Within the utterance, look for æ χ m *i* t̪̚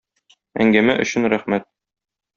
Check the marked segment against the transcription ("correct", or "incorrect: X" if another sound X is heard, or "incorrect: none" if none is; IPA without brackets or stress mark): incorrect: æ